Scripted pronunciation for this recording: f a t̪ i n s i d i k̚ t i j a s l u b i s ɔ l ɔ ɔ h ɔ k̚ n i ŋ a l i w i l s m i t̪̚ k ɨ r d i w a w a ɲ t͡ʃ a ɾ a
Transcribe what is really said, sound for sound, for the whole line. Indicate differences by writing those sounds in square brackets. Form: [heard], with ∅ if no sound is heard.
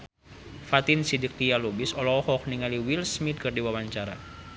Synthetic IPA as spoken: f a t̪ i n s i d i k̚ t i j a [∅] l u b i s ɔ l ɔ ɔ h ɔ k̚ n i ŋ a l i w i l s m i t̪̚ k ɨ r d i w a w a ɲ t͡ʃ a ɾ a